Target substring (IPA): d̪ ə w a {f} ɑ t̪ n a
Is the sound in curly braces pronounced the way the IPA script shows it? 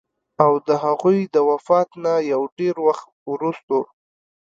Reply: yes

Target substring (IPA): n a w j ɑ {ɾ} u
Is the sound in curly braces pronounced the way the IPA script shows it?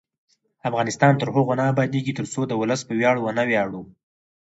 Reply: no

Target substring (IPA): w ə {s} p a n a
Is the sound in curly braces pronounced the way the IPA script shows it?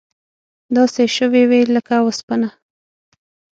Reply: yes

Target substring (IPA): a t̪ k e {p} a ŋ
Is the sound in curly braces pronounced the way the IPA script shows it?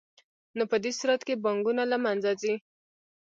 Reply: no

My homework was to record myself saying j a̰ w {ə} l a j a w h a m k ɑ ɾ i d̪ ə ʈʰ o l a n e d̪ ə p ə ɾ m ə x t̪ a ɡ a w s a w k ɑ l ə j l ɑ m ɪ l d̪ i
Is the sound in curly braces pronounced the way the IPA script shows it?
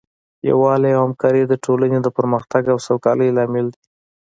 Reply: no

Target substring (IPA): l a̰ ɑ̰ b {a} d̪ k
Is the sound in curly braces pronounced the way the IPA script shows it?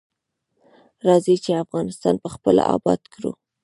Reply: no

